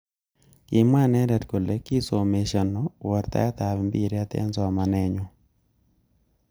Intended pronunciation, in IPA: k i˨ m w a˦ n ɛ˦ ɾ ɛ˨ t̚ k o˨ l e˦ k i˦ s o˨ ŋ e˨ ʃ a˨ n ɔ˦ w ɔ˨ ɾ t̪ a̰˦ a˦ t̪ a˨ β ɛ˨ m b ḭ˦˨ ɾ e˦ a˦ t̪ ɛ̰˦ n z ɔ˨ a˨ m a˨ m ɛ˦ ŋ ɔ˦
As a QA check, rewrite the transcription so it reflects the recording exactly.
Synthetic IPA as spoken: k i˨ m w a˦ n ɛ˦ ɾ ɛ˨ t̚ k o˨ l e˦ k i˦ s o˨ m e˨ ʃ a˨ n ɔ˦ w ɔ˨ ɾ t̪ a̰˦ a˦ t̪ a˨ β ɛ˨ m b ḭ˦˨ ɾ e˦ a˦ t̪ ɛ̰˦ n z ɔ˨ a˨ m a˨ n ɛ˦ ɲ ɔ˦